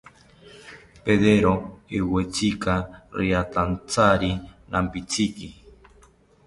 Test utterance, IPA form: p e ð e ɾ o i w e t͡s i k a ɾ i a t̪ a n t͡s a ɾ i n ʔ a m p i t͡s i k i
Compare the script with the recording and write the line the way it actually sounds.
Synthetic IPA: p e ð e ɾ o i w e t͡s i k a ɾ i a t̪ a n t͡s a ɾ i n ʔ a m p i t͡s i k i

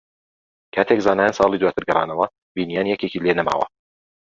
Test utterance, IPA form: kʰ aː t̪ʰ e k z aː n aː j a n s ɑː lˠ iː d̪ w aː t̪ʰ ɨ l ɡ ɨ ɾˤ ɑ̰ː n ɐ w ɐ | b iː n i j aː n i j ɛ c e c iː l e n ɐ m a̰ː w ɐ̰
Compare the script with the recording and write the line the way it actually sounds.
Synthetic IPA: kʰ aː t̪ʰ e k z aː n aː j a n s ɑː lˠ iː d̪ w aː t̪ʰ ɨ ɾ ɡ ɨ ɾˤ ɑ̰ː n ɐ w ɐ | b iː n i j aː n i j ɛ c e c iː l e n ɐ m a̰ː w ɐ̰

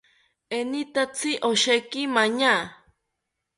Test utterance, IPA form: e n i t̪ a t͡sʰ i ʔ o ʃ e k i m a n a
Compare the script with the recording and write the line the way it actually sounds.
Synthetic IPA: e n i t̪ a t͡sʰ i ʔ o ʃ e k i m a ɲ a

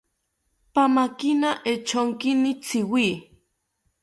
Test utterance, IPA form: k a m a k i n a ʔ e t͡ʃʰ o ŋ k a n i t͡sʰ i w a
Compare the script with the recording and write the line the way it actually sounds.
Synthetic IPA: p a m a k i n a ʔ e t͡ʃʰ o ŋ k i n i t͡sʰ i w i

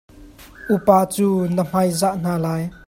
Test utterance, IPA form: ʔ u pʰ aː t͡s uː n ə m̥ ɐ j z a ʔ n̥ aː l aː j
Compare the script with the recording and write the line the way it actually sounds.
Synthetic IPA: ʔ u p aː t͡s uː n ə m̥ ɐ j z a ʔ n̥ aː l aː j

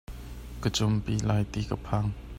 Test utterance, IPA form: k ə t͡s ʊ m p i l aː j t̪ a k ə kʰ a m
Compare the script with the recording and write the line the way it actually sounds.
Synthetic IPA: k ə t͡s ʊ m p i l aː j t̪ i k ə pʰ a ŋ

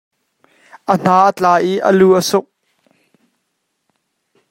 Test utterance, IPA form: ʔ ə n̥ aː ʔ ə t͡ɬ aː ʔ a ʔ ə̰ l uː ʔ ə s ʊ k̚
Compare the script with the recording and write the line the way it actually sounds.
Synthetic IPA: ʔ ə n̥ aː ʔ ə t͡ɬ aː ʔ i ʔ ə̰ l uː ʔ ə s ʊ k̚

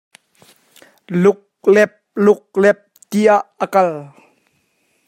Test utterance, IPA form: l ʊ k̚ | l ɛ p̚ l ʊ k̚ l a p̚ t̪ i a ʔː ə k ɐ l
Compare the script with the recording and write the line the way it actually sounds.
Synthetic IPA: l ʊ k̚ | l ɛ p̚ l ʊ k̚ l ɛ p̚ t̪ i a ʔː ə k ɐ l

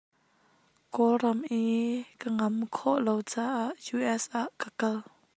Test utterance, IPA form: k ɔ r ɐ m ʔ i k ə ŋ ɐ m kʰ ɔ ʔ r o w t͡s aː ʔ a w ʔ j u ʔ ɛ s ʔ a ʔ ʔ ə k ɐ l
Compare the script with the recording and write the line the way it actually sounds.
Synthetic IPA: k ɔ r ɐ m ʔ i k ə ŋ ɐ m kʰ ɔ ʔ l o w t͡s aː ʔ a ʔ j u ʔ ɛ s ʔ a ʔ k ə k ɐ l

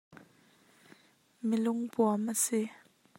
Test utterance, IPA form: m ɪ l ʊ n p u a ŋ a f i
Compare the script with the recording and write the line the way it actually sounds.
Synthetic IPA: m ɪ l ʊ ŋ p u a m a s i

